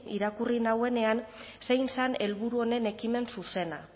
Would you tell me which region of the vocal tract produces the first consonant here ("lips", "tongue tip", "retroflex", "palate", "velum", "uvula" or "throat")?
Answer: tongue tip